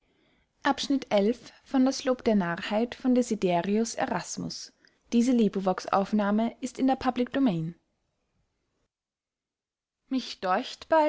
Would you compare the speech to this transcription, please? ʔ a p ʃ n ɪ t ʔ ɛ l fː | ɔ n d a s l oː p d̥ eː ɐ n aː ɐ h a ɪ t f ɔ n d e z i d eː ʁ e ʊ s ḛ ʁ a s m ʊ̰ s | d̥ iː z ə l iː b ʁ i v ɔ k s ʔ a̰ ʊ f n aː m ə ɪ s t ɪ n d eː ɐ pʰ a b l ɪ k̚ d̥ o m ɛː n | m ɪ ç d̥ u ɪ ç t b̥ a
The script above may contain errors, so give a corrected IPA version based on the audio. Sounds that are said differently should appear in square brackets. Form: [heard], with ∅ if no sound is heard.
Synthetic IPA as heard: ʔ a p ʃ n ɪ t ʔ ɛ l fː | ɔ n d a s l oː p d̥ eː ɐ n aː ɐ h a ɪ t f ɔ n d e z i d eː ʁ [i] ʊ s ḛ ʁ a s m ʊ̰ s | d̥ iː z ə l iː b ʁ i v ɔ k s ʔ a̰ ʊ f n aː m ə ɪ s t ɪ n d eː ɐ pʰ a b l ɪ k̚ d̥ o m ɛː n | m ɪ ç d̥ [ɔ] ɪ ç t b̥ a